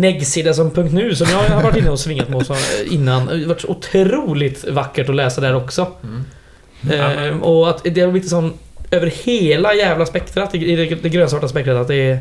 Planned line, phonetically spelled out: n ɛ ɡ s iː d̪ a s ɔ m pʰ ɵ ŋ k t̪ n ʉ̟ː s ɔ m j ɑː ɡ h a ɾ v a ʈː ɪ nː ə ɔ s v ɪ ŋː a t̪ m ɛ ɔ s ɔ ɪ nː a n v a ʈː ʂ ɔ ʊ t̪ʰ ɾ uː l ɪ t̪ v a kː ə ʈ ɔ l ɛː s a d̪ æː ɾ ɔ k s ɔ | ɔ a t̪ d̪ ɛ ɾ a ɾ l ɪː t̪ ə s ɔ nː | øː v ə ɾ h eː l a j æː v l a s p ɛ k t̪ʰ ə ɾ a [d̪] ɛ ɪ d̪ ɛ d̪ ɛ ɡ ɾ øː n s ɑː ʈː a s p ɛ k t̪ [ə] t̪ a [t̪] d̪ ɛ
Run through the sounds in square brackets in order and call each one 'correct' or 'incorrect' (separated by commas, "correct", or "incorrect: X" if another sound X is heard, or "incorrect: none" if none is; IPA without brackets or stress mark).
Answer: incorrect: t̪, correct, correct